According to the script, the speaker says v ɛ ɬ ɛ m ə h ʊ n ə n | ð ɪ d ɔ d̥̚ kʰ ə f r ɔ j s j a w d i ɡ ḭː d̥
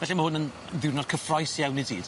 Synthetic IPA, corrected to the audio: v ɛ ɬ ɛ m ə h ʊ n ə n | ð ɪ n ɔ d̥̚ kʰ ə f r ɔ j s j a w n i d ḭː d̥